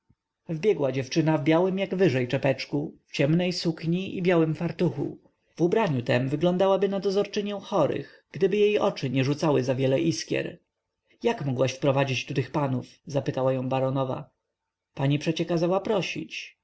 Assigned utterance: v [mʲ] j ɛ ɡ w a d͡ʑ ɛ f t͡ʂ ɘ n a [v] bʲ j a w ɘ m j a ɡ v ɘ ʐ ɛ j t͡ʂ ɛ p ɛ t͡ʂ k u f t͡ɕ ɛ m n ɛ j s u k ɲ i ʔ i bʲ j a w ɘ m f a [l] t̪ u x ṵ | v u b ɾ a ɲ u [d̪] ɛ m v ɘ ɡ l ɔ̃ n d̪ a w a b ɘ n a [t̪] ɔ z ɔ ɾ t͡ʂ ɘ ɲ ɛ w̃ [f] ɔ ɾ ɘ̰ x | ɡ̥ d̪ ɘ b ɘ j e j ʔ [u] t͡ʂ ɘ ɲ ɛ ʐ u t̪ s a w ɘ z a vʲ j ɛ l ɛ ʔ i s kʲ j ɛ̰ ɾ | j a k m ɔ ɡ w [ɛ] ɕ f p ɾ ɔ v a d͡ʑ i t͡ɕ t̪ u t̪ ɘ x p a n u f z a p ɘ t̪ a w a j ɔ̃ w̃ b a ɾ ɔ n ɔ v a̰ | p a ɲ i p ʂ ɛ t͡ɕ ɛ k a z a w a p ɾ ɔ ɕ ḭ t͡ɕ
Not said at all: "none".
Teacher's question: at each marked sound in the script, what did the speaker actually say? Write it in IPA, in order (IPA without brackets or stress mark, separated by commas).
bʲ, v, ɾ, t̪, d̪, x, ɔ, a